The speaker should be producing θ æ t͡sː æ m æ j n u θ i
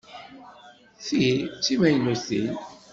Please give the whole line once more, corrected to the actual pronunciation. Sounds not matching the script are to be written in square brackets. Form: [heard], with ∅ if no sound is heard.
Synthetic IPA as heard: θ [i] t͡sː [i] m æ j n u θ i